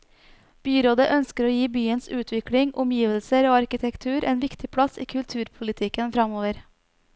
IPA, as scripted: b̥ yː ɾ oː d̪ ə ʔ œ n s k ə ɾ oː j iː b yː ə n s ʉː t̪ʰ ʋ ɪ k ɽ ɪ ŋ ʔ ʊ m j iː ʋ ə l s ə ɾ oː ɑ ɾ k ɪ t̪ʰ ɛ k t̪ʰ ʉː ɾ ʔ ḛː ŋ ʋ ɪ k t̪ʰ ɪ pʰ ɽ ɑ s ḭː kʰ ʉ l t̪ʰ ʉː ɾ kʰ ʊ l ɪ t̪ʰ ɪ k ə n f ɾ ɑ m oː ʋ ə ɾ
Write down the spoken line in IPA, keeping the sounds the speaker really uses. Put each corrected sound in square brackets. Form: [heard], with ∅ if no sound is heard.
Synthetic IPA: b̥ yː ɾ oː d̪ ə ʔ œ n s k ə ɾ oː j iː b yː ə n s ʉː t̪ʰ ʋ ɪ k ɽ ɪ ŋ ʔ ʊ m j iː ʋ ə l s ə ɾ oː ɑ ɾ k ɪ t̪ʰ ɛ k t̪ʰ ʉː ɾ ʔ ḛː [n] ʋ ɪ k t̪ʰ ɪ pʰ ɽ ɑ s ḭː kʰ ʉ l t̪ʰ ʉː ɾ [pʰ] ʊ l ɪ t̪ʰ ɪ k ə n f ɾ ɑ m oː ʋ ə ɾ